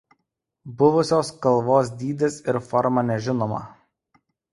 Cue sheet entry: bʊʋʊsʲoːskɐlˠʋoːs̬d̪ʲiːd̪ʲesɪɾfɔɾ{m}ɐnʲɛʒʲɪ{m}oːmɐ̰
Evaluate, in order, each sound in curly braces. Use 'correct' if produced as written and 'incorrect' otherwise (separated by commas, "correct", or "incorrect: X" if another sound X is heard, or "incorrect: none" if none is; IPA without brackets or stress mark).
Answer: correct, incorrect: n